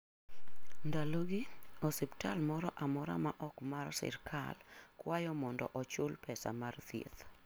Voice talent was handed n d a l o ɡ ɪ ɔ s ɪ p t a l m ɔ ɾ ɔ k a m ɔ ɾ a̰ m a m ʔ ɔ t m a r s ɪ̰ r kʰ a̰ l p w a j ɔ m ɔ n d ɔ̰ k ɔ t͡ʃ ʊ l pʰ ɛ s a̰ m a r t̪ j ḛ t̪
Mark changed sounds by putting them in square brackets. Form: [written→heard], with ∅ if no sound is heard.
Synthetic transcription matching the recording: n d a l o ɡ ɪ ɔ s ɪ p t a l m ɔ ɾ ɔ [k→ʔ] a m ɔ ɾ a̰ m a [m→∅] ʔ ɔ [t→k] m a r s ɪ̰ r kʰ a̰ l [p→k] w a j ɔ m ɔ n d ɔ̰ [k→ʔ] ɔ t͡ʃ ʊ l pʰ ɛ s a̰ m a r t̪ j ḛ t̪